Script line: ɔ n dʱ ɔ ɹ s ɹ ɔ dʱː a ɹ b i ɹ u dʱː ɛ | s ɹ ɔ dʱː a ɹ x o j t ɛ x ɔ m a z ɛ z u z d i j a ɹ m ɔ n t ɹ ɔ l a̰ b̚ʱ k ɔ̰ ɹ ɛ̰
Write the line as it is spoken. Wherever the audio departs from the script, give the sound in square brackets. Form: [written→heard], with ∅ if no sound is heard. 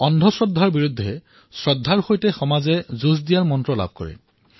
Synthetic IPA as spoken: ɔ n dʱ ɔ [ɹ→∅] s ɹ ɔ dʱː a ɹ b i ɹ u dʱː ɛ | s ɹ ɔ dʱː a ɹ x o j t ɛ x ɔ m a z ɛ z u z d i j a ɹ m ɔ n t ɹ ɔ l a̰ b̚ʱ k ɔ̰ ɹ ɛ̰

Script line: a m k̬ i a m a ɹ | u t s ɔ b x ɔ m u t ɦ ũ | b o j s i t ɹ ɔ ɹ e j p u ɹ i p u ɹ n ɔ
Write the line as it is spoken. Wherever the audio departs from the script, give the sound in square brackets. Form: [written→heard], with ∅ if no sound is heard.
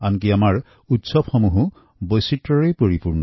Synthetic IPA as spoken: a [m→n] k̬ i a m a ɹ | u t s ɔ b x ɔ m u [t→∅] ɦ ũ | b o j s i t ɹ ɔ ɹ e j p [u→o] ɹ i p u ɹ n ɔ

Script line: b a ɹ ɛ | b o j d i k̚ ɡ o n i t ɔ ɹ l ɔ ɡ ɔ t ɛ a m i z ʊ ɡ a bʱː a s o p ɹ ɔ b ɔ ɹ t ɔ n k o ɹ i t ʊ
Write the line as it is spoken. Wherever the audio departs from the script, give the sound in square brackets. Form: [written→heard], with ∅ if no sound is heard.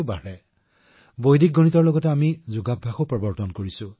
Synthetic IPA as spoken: b a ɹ ɛ | b o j d i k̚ ɡ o n i t ɔ ɹ l ɔ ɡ ɔ t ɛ a m i z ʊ ɡ a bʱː a [s→x] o p ɹ ɔ b ɔ ɹ t ɔ n k o ɹ i [t→s] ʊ

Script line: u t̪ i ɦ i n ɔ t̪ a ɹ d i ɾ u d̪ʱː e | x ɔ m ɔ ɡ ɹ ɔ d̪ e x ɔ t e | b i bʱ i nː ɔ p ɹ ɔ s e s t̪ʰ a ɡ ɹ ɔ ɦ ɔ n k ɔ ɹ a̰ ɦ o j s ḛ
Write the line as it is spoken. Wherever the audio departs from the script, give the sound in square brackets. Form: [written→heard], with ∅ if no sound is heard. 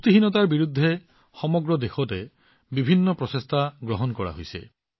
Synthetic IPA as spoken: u t̪ i ɦ i n ɔ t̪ a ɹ [d→b] i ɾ u d̪ʱː e | x ɔ m ɔ ɡ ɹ ɔ d̪ e x ɔ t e | b i bʱ i nː ɔ p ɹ ɔ s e s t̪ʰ a ɡ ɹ ɔ ɦ ɔ n k ɔ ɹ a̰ ɦ o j s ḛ

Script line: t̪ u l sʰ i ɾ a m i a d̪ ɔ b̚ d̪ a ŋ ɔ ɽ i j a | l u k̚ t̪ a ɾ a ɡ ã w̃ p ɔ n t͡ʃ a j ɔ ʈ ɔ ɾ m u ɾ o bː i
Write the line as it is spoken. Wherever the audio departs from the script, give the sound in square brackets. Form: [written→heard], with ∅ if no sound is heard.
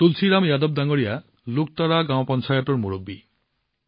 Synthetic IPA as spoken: t̪ u l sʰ i ɾ a m [i→j] a d̪ ɔ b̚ d̪ a ŋ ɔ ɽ i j a | l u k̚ t̪ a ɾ a ɡ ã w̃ p ɔ n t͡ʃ a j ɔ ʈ ɔ ɾ m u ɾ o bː i

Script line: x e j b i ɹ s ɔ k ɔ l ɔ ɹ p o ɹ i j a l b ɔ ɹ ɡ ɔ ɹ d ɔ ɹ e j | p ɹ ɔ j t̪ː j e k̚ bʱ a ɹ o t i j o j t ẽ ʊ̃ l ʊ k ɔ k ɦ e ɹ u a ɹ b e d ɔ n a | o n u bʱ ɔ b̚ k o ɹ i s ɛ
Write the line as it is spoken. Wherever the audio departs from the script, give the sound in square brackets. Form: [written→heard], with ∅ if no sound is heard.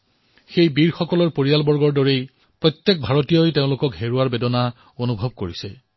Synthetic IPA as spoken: x e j b i ɹ [s→x] ɔ k ɔ l ɔ ɹ p o ɹ i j a l b ɔ ɹ ɡ ɔ ɹ d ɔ ɹ e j | p ɹ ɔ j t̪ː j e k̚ bʱ a ɹ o t i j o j t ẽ ʊ̃ l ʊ k ɔ k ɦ e ɹ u a ɹ b e d ɔ n a | o n u bʱ ɔ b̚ k o ɹ i s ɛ

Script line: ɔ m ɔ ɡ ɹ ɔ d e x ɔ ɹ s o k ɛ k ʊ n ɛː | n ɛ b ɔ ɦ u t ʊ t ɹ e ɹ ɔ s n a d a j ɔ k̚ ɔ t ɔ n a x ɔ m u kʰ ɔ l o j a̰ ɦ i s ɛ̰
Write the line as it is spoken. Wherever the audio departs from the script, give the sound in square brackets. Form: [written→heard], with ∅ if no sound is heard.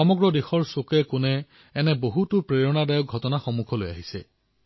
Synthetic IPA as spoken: ɔ m ɔ ɡ ɹ ɔ d e x ɔ ɹ s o k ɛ k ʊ n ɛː | n ɛ b [ɔ→o] ɦ u t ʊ [t→p] ɹ e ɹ ɔ [s→∅] n a d a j ɔ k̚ ɔ t ɔ n a x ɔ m u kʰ ɔ l o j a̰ ɦ i s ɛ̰

